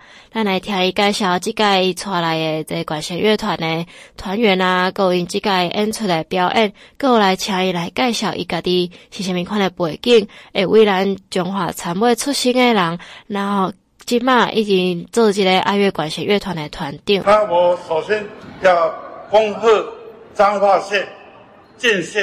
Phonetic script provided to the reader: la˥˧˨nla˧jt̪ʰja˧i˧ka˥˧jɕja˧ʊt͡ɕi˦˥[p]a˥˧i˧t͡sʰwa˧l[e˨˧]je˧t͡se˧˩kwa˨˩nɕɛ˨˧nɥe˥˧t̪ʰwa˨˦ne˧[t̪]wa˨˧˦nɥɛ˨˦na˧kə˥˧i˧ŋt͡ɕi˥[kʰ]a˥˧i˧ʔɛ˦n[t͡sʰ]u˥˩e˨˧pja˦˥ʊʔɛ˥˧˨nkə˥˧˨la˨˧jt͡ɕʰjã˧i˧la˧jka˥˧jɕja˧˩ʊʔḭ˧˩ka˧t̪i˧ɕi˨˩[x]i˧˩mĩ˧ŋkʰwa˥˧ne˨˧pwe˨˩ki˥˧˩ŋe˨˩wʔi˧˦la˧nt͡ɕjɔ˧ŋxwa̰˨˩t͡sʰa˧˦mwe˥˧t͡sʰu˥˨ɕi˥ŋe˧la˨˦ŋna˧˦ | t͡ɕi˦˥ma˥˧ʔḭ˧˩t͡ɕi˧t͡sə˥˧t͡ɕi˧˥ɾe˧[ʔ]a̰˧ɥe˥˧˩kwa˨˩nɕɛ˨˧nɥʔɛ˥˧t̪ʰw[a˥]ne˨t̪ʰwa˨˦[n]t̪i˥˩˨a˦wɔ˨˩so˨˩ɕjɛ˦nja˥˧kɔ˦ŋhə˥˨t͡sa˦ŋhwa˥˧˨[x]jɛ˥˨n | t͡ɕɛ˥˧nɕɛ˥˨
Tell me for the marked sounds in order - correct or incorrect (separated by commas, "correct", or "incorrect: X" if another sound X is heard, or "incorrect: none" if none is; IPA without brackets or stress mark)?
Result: incorrect: k, incorrect: a˨˧, incorrect: t̪ʰ, incorrect: k, correct, incorrect: ɕ, correct, incorrect: a˨˩, correct, incorrect: ɕ